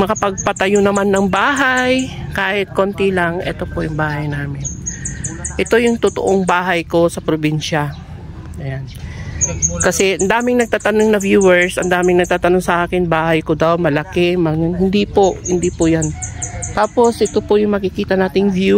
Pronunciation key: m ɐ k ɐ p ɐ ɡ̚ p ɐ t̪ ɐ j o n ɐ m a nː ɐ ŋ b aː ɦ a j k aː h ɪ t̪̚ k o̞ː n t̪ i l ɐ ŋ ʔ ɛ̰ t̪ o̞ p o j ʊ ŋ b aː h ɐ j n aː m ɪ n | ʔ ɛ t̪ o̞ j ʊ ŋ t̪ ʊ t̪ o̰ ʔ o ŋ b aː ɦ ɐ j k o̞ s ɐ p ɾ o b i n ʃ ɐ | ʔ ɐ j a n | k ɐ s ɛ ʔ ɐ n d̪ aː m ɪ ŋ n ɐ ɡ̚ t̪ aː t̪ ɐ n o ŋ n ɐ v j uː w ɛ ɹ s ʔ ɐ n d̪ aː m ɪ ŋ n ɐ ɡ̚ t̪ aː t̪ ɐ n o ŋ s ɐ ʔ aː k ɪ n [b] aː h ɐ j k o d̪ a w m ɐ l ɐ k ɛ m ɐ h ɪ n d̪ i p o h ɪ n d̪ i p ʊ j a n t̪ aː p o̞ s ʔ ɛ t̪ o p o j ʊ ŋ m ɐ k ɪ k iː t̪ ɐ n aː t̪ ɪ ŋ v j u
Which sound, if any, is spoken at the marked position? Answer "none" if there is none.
b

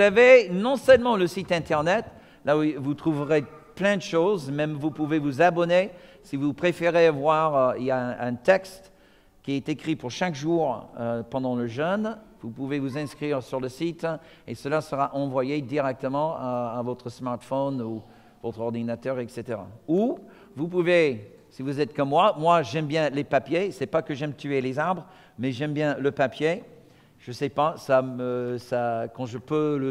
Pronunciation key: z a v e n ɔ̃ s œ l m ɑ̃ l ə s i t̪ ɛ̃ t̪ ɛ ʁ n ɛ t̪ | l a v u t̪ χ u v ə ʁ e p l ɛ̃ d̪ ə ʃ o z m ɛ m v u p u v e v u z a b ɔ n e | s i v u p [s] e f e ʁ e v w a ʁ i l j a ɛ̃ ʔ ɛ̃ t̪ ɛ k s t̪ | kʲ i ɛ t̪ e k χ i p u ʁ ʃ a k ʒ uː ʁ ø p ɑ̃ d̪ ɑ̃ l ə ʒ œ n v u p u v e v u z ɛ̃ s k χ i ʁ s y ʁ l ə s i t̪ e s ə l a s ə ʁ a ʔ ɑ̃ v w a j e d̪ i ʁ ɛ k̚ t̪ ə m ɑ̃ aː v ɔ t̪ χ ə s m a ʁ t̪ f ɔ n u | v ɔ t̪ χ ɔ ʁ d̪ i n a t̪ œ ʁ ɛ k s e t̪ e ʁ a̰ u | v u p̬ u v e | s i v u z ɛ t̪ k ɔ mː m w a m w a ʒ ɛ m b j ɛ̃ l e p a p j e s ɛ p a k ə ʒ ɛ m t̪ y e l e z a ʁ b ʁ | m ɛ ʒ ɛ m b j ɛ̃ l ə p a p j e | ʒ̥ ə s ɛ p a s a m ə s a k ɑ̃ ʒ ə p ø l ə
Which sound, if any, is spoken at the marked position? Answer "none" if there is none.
χ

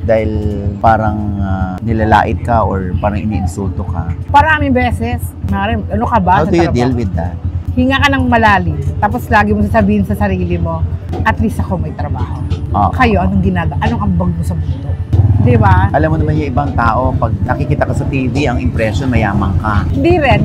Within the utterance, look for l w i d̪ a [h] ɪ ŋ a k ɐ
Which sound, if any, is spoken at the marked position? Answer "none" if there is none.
h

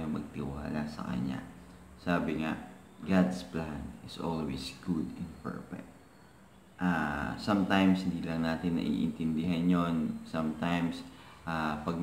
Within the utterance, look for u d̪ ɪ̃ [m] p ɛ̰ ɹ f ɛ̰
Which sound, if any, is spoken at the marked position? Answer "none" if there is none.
n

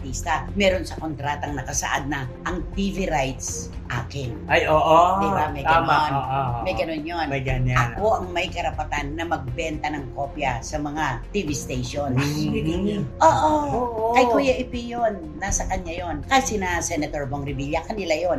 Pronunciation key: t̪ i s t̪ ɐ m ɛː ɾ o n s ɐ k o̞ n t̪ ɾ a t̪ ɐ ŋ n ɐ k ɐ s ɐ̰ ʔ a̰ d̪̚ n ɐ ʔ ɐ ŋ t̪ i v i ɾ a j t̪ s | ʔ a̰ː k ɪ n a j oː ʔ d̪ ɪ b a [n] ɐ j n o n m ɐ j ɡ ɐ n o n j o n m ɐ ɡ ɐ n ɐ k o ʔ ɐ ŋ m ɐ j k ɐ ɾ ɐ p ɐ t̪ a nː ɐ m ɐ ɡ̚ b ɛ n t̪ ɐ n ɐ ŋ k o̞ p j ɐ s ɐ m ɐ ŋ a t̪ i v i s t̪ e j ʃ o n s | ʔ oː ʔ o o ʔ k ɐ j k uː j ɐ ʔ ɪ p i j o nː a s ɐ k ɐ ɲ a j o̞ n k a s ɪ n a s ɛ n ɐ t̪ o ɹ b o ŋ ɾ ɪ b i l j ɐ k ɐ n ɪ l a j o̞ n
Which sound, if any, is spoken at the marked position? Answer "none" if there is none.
m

